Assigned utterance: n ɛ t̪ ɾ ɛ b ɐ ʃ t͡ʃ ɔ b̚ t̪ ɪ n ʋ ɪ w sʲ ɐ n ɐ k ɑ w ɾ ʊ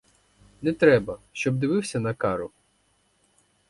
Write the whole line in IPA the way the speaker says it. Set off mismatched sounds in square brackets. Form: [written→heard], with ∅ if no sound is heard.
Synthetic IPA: n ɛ t̪ ɾ ɛ b ɐ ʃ t͡ʃ ɔ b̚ [t̪→d̪] ɪ [n→∅] ʋ ɪ w sʲ ɐ n ɐ k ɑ [w→∅] ɾ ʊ